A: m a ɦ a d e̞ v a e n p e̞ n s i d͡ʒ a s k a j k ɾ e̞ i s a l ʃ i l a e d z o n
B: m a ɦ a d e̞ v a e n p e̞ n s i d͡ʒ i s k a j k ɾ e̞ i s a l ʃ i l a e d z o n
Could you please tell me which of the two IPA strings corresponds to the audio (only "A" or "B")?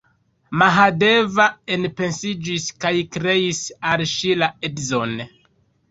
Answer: B